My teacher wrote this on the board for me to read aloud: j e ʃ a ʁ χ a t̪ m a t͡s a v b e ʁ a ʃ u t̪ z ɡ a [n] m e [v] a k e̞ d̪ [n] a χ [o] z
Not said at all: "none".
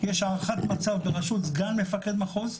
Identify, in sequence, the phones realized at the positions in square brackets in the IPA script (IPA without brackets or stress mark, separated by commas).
n, f, m, o